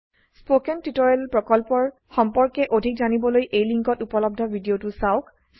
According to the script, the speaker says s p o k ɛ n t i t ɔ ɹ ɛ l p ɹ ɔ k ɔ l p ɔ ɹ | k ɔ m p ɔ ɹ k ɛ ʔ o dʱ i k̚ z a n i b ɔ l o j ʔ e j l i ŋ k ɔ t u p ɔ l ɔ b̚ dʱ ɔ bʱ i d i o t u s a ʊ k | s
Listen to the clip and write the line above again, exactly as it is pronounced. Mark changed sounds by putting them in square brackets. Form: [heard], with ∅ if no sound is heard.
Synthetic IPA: s p o k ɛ n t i t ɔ ɹ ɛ l p ɹ ɔ k ɔ l p ɔ ɹ | [x] ɔ m p ɔ ɹ k ɛ ʔ o dʱ i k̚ z a n i b ɔ l o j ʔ e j l i ŋ k ɔ t u p ɔ l ɔ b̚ dʱ ɔ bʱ i d i o t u s a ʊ k | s